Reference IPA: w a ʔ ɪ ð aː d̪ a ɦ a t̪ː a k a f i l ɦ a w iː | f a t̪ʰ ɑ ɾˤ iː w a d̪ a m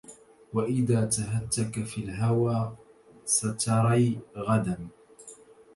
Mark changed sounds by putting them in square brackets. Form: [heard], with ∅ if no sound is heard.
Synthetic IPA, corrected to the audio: w a ʔ ɪ ð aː [t̪] a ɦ a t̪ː a k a f i l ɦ a w [aː] | [s] a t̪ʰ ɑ ɾˤ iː [ɣ] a d̪ a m